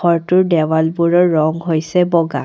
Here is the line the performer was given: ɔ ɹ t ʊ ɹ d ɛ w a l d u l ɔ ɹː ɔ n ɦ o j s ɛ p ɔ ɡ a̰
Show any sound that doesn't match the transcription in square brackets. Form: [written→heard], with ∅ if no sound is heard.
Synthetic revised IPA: ɔ ɹ t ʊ ɹ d ɛ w a l [d→b] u [l→ɹ] ɔ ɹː ɔ [n→ŋ] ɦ o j s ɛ [p→b] ɔ ɡ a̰